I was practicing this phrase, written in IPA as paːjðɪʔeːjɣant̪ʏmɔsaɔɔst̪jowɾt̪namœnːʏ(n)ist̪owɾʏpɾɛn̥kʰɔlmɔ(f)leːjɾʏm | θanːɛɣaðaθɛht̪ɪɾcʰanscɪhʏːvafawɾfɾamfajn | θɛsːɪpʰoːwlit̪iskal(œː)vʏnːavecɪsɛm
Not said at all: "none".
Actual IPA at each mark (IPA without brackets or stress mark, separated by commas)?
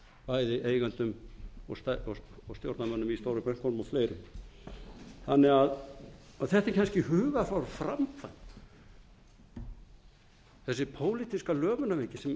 m, f, œː